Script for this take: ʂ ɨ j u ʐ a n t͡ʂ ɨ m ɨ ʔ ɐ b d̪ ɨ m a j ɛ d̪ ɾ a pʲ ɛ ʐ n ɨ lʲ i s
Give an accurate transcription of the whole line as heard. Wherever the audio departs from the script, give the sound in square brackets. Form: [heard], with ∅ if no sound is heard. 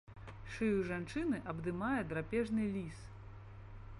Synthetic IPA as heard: ʂ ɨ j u ʐ a n t͡ʂ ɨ [n] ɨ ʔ ɐ b d̪ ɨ m a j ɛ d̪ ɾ a pʲ ɛ ʐ n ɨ lʲ i s